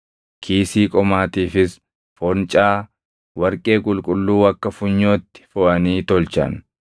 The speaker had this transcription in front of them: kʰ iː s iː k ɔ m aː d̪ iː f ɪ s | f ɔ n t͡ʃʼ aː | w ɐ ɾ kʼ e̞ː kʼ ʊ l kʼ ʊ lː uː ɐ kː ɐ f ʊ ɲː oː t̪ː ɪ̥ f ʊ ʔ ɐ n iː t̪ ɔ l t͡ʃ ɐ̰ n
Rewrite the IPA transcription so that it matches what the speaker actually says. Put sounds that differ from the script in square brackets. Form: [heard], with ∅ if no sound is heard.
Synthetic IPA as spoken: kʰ iː s iː [kʼ] ɔ m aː [t̪] iː f ɪ s | f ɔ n t͡ʃʼ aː | w ɐ ɾ kʼ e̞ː kʼ ʊ l kʼ ʊ lː uː ɐ kː ɐ f ʊ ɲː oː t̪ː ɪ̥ f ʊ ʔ ɐ n iː t̪ ɔ l t͡ʃ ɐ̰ n